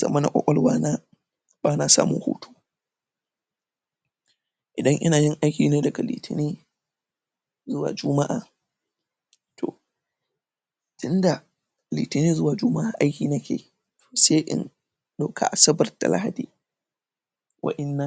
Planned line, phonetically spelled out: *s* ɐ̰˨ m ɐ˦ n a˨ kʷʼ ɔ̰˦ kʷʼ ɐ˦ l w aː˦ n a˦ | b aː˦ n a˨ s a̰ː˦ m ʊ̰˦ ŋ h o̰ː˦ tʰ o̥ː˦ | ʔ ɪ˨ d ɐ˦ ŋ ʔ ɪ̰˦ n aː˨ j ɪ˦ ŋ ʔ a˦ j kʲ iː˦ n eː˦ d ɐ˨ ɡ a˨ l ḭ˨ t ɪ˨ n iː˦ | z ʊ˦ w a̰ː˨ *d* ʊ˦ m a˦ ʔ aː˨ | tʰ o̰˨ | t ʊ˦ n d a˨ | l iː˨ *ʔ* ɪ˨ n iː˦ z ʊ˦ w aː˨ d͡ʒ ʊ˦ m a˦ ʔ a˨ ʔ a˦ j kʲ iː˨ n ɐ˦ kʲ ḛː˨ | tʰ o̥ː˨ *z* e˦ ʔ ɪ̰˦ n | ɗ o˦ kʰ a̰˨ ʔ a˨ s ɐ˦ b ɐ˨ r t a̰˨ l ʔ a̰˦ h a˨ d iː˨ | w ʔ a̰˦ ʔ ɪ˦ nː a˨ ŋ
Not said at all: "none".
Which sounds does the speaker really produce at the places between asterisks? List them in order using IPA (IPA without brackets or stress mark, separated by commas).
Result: z, d͡ʒ, t, s